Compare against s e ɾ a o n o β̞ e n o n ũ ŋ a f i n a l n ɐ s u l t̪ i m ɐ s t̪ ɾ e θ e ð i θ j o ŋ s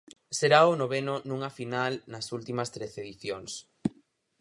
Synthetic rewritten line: s e ɾ a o n o β̞ e n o n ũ ŋ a f i n a l n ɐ s u l t̪ i m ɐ s t̪ ɾ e θ e ð i θ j o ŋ s